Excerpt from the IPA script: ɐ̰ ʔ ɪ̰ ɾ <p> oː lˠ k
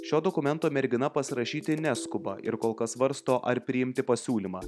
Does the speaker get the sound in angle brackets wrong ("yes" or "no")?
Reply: yes